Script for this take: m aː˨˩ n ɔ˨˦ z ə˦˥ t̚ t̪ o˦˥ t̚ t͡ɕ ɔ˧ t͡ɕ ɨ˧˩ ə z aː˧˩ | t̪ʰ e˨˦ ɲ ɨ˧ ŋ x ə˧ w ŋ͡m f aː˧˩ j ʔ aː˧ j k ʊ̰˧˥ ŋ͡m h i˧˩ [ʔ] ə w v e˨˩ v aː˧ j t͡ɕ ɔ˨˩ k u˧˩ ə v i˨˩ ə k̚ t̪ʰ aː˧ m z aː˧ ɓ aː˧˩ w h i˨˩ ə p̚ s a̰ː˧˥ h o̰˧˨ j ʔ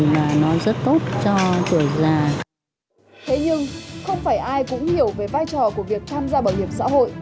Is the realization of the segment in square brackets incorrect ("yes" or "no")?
yes